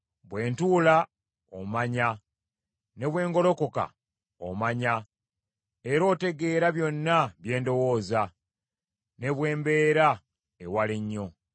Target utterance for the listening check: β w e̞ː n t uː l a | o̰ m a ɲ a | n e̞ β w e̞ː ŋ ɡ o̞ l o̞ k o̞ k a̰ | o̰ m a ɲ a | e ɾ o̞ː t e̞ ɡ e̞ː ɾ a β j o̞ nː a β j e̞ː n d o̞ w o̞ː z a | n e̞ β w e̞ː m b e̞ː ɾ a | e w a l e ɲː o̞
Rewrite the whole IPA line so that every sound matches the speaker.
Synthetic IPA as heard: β w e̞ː n t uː l a | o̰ m a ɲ a | n e̞ β w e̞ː ŋ ɡ o̞ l o̞ k o̞ k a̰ | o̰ m a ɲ a | e ɾ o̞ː t e̞ ɡ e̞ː ɾ a β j o̞ nː a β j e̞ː n d o̞ w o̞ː z a | n e̞ β w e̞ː m b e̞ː ɾ a | e w a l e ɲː o̞